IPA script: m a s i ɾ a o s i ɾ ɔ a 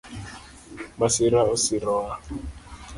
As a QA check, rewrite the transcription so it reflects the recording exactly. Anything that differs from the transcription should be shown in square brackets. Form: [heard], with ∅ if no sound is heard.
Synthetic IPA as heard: m a s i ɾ a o s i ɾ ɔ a

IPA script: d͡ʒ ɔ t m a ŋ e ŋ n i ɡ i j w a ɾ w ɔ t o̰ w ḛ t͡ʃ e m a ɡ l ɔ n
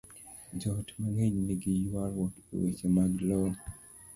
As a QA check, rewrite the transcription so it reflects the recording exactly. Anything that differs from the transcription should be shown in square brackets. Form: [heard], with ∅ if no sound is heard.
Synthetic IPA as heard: d͡ʒ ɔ t m a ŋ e [ɲ] n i ɡ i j w a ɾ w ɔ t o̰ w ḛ t͡ʃ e m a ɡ l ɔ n

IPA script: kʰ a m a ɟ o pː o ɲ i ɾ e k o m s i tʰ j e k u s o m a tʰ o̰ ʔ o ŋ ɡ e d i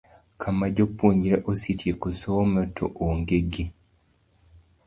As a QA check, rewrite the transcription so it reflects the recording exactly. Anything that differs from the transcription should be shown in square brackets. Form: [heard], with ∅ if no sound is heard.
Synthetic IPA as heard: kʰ a m a ɟ o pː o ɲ i ɾ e [ʔ] o [∅] s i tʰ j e k u s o m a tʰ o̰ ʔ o ŋ ɡ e [ɡ] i

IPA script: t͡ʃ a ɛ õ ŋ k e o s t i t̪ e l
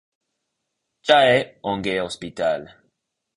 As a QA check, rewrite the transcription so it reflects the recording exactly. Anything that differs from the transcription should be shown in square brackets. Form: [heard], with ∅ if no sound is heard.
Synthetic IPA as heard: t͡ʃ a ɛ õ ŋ [ɡ] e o s [p] i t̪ [a] l

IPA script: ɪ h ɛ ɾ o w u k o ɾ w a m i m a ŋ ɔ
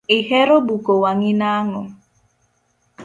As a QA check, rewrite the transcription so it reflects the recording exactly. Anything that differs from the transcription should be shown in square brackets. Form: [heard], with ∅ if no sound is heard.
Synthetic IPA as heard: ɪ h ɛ ɾ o [b] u k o [∅] w a [ŋ] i [n] a ŋ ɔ

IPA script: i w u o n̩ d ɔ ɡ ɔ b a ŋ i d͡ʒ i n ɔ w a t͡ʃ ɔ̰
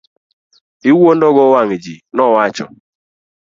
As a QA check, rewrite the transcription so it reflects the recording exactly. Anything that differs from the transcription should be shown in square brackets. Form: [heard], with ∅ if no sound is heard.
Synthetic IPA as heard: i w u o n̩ d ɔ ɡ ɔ [w] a ŋ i d͡ʒ i n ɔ w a t͡ʃ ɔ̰

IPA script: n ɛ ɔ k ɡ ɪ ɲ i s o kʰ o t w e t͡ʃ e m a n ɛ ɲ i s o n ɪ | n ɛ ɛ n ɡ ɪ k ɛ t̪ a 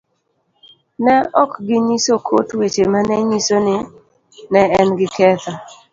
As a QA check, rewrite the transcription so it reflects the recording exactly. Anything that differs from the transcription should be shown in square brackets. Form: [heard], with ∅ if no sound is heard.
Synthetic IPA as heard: n ɛ ɔ k ɡ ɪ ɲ i s o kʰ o t w e t͡ʃ e m a n ɛ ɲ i s o n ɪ | n ɛ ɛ n ɡ ɪ k ɛ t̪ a

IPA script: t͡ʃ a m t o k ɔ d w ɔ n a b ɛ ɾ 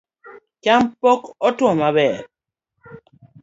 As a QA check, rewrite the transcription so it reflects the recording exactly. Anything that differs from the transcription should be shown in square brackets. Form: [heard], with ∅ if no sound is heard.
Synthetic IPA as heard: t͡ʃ a m [p] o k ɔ [t] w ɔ [m] a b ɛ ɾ

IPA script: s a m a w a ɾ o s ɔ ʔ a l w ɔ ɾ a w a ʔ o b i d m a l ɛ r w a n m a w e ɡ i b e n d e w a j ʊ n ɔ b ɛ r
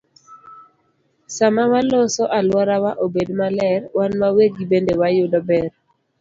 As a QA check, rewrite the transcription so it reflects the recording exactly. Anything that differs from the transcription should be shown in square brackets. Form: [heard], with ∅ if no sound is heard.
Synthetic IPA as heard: s a m a w a [l] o s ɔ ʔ a l w ɔ ɾ a w a ʔ o b [e] d m a l ɛ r w a n m a w e ɡ i b e n d e w a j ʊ [d] ɔ b ɛ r

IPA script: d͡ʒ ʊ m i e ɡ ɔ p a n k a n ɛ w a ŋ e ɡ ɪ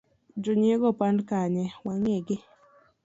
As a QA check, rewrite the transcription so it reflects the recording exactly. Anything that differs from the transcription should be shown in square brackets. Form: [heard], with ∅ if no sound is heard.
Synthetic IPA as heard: d͡ʒ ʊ [ɲ] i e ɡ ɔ p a n k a [ɲ] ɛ w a ŋ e ɡ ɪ

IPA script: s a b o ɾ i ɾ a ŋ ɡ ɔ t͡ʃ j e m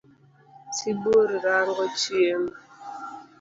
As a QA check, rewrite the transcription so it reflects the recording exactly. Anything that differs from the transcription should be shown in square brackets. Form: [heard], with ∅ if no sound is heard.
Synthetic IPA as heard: s [i] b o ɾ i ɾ a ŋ ɡ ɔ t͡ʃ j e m

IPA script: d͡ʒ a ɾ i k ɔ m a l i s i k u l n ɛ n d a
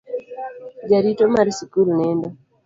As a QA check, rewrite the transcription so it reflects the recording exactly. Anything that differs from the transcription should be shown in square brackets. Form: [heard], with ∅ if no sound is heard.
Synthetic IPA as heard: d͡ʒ a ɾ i [t] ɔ m a [ɾ] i s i k u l n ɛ n d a

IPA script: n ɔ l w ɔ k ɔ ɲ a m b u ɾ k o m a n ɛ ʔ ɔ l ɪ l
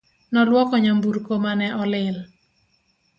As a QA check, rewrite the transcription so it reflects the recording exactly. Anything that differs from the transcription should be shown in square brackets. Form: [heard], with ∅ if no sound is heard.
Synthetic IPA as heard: n ɔ l w ɔ k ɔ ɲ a m b u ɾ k o m a n ɛ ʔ ɔ l ɪ l

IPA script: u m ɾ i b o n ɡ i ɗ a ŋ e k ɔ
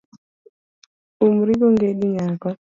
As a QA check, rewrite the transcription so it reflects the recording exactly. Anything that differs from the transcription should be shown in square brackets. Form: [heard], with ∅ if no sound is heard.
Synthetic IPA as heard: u m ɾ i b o [ŋ] ɡ [e] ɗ [i] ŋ [a] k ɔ

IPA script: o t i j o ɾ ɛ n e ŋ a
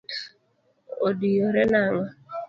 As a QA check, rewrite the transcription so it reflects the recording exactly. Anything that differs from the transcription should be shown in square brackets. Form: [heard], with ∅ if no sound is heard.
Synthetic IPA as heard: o [d] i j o ɾ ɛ n [a] ŋ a

